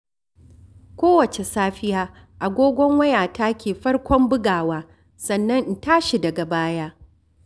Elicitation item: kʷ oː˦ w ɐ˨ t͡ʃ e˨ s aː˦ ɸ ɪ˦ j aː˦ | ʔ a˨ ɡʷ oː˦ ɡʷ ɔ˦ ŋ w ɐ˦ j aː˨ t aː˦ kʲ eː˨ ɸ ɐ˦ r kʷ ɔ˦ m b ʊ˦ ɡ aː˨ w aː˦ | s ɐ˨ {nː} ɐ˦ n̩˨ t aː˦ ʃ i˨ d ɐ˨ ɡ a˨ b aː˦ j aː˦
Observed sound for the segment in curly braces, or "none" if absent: nː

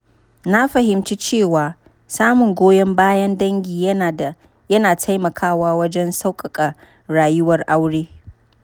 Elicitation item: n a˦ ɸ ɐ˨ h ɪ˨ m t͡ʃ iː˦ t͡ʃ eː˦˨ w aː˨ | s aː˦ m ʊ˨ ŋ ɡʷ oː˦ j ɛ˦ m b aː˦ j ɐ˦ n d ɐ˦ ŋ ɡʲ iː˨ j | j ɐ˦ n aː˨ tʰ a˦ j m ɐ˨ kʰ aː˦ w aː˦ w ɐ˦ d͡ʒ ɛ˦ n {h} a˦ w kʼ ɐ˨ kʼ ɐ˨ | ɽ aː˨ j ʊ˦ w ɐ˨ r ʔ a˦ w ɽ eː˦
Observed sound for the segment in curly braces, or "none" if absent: s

